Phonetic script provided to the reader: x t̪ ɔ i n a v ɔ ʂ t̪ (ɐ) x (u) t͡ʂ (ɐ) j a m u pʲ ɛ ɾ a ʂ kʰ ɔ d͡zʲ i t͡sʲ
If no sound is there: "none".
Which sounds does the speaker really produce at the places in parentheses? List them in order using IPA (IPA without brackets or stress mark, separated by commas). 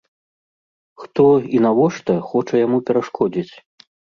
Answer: ɐ, ɔ, ɐ